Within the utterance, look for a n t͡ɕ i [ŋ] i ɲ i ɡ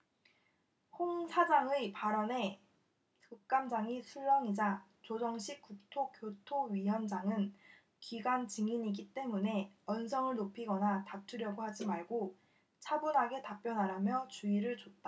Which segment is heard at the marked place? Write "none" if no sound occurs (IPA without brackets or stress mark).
ŋ